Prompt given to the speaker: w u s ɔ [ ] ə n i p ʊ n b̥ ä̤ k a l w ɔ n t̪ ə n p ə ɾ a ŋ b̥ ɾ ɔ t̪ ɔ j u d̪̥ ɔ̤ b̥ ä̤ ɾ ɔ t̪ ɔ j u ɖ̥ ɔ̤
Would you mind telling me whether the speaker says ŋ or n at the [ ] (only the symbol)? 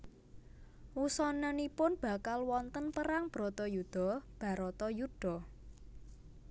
n